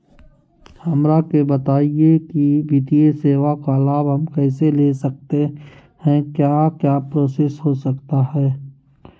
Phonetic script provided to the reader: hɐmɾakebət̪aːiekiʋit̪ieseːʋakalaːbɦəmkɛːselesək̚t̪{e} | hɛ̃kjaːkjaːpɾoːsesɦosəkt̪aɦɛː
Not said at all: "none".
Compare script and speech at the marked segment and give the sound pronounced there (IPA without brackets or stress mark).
e